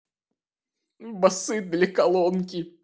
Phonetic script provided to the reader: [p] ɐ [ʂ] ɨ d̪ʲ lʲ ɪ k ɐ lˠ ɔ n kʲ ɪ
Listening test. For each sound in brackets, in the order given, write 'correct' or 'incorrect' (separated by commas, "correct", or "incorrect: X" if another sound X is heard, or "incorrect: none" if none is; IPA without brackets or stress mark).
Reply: incorrect: b, incorrect: s